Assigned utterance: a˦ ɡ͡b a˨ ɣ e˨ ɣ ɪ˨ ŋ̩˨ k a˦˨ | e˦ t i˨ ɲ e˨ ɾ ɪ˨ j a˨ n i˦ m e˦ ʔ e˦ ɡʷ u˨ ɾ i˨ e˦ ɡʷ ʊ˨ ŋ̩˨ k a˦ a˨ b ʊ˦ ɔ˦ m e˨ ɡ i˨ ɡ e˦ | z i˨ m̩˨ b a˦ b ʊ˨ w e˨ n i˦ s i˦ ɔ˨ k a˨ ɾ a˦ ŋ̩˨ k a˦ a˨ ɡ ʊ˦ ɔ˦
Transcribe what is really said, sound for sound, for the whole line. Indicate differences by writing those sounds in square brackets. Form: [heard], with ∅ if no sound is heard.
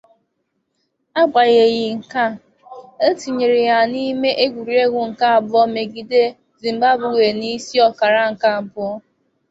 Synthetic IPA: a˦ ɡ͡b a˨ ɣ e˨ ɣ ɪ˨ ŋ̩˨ k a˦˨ | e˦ t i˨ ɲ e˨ ɾ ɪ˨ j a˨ n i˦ m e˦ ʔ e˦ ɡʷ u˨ ɾ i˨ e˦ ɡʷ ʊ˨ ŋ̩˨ k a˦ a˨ b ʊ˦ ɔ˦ m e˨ ɡ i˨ [d] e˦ | z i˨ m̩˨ b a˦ b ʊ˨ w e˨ n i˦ s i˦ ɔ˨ k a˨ ɾ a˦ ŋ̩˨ k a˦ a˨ [b] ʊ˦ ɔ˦